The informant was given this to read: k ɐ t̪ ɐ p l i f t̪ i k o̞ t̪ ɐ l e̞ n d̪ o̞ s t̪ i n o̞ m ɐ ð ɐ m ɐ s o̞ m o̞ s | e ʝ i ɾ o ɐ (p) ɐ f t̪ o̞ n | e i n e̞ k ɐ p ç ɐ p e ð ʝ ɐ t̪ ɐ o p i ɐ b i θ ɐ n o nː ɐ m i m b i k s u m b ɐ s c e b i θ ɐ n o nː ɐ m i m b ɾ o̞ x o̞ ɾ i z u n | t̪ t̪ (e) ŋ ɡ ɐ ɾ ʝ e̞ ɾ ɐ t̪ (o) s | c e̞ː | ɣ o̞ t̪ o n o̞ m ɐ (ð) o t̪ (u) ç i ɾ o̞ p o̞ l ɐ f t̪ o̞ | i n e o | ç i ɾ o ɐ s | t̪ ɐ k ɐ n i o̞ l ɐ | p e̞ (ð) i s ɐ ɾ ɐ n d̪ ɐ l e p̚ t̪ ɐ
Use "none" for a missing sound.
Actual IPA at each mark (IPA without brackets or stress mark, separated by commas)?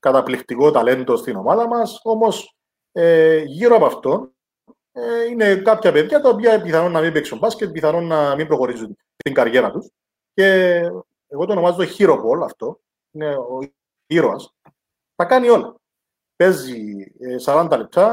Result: p, i, u, z, o, z